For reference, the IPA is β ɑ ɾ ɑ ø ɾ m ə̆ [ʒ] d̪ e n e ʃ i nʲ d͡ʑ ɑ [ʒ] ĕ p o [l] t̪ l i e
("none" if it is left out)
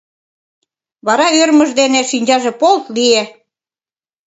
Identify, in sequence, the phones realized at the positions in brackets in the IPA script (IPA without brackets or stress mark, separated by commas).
ʒ, ʒ, l